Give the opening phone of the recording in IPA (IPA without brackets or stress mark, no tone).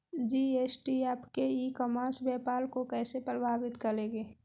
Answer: d͡ʒ